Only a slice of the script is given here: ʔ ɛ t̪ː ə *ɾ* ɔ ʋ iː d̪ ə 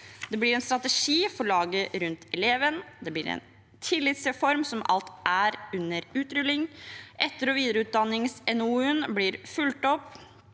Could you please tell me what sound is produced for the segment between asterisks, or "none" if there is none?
ɾ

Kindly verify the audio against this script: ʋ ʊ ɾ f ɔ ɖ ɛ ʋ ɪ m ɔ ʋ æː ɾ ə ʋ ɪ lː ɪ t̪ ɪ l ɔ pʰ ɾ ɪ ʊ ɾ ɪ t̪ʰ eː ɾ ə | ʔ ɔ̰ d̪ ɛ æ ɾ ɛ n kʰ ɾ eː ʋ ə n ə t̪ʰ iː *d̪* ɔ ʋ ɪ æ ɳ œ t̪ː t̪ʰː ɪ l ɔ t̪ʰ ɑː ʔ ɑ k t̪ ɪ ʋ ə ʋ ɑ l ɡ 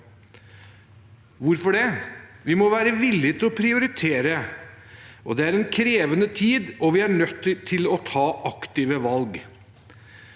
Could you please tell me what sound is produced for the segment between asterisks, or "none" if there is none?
d̪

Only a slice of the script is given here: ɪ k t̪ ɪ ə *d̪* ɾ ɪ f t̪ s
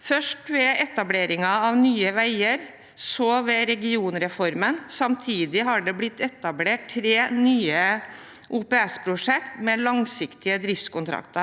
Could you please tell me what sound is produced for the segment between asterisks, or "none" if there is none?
d̪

